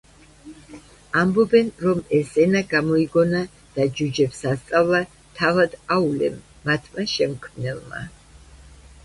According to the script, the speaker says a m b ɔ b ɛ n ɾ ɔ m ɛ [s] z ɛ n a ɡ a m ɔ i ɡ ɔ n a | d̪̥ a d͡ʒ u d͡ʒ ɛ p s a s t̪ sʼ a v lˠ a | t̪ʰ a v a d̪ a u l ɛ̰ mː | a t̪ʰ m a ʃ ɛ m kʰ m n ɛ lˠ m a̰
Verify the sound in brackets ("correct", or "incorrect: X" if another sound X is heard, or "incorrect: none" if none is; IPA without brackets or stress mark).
correct